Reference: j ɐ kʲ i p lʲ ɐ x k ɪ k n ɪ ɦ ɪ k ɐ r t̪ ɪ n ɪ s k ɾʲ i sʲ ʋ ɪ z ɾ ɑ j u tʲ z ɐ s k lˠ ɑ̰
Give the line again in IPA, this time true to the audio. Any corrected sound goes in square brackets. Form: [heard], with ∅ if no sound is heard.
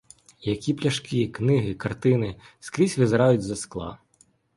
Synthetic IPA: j ɐ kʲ i p lʲ ɐ [ʃ] k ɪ k n ɪ ɦ ɪ k ɐ r t̪ ɪ n ɪ s k ɾʲ i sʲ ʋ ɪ z ɾ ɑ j [ʊ] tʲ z ɐ s k lˠ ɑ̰